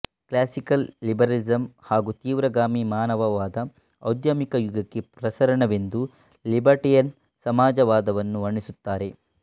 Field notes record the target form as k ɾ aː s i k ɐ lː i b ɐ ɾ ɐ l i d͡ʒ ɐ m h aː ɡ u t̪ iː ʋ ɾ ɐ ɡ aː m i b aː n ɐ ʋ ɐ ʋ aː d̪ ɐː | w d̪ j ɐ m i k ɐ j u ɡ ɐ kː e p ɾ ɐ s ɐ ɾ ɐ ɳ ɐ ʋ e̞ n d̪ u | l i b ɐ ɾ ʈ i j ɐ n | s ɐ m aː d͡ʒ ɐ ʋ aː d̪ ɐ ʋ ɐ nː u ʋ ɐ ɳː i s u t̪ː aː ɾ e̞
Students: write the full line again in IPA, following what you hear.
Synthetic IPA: k l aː s i k ɐ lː i b ɐ ɾ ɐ l i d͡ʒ ɐ m h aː ɡ u t̪ iː ʋ ɾ ɐ ɡ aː m i m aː n ɐ ʋ ɐ ʋ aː d̪ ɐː | w d̪ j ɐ m i k ɐ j u ɡ ɐ kː e p ɾ ɐ s ɐ ɾ ɐ ɳ ɐ ʋ e̞ n d̪ u | l i b ɐ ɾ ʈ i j ɐ n | s ɐ m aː d͡ʒ ɐ ʋ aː d̪ ɐ ʋ ɐ nː u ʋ ɐ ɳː i s u t̪ː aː ɾ e̞